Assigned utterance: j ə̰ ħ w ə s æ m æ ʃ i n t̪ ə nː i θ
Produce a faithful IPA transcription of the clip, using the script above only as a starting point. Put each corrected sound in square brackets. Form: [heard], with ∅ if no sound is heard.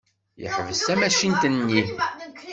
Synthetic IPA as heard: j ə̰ ħ [v] ə s æ m æ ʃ i n t̪ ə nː i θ